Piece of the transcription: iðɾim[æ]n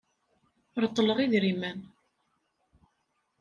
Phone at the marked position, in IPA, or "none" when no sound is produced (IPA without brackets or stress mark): æ